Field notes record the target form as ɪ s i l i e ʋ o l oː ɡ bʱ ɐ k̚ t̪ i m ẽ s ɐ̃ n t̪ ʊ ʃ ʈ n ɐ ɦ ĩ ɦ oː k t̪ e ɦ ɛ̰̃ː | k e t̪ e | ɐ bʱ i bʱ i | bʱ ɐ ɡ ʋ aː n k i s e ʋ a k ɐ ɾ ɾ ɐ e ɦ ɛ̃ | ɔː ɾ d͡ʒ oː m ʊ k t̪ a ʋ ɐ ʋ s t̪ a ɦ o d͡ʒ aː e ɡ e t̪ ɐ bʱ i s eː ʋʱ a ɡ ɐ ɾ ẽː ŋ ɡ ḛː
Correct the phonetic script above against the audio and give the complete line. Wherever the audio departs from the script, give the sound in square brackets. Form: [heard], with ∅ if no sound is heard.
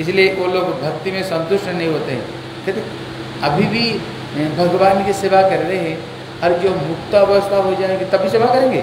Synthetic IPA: ɪ s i l i e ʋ o l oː ɡ bʱ ɐ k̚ t̪ i m ẽ s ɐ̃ n t̪ ʊ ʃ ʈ n ɐ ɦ ĩ ɦ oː [∅] t̪ e ɦ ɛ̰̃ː | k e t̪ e | ɐ bʱ i bʱ i | bʱ ɐ ɡ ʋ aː n k i s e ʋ a k ɐ ɾ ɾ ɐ e ɦ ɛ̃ | ɔː ɾ d͡ʒ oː m ʊ k t̪ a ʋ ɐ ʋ s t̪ a ɦ o d͡ʒ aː e ɡ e t̪ ɐ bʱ i s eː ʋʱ a [k] ɐ ɾ ẽː ŋ ɡ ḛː

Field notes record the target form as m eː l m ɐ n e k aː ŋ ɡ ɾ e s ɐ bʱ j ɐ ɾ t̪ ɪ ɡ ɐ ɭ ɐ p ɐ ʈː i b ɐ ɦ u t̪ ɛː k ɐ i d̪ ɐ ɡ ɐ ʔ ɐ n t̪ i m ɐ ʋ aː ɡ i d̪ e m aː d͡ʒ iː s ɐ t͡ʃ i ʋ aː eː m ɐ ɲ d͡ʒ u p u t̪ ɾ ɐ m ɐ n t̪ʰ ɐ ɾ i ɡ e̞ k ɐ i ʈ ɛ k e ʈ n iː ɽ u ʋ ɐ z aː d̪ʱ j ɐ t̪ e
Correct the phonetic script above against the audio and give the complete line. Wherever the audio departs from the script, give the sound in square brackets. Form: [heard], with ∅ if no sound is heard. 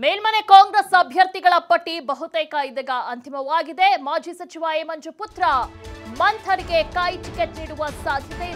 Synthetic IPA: m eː l m ɐ n e k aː ŋ ɡ ɾ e s ɐ bʱ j ɐ ɾ t̪ [i] ɡ ɐ ɭ ɐ p ɐ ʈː i b ɐ ɦ u t̪ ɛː k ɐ i d̪ ɐ ɡ ɐ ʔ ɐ n t̪ i m ɐ ʋ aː ɡ i d̪ e m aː d͡ʒ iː s ɐ t͡ʃ i ʋ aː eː m ɐ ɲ d͡ʒ u p u t̪ ɾ ɐ m ɐ n t̪ʰ ɐ ɾ i ɡ e̞ k ɐ [j] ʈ [i] k e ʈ n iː ɽ u ʋ ɐ [s] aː d̪ʱ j ɐ t̪ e

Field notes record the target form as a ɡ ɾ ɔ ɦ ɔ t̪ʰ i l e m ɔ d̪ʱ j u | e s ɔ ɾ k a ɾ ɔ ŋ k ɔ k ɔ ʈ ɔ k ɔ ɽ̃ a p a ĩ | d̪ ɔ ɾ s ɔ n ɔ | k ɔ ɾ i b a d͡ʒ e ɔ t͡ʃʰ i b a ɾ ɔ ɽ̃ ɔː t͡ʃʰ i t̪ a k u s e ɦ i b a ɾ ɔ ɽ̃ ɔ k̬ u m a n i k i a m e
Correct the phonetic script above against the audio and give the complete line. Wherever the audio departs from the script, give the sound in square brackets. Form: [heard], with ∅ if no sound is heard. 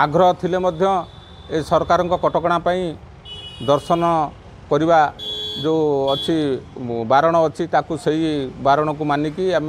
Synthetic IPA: a ɡ ɾ ɔ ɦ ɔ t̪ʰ i l e m ɔ d̪ʱ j [ɔ] | e s ɔ ɾ k a ɾ ɔ ŋ k ɔ k ɔ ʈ ɔ k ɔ ɽ̃ a p a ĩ | d̪ ɔ ɾ s ɔ n ɔ | k ɔ ɾ i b a d͡ʒ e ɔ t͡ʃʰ i b a ɾ ɔ ɽ̃ ɔː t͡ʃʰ i t̪ a k u s e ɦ i b a ɾ ɔ ɽ̃ ɔ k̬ u m a n i k i a m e

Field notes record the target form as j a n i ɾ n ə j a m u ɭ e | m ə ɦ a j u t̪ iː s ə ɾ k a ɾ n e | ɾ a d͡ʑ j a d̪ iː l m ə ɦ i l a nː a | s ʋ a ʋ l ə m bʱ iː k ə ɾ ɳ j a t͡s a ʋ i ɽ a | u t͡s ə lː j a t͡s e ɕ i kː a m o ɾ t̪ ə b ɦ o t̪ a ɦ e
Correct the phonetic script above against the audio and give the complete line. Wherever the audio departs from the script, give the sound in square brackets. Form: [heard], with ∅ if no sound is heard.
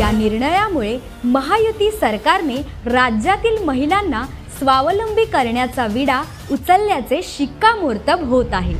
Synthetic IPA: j a n i ɾ [ɳ] ə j a m u ɭ e | m ə ɦ a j u t̪ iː s ə ɾ k a ɾ n e | ɾ a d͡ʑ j a [t̪] iː l m ə ɦ i l a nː a | s ʋ a ʋ l ə m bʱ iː k ə ɾ ɳ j a t͡s a ʋ i ɽ a | u t͡s ə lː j a t͡s e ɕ i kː a m o ɾ t̪ ə b ɦ o t̪ a ɦ e

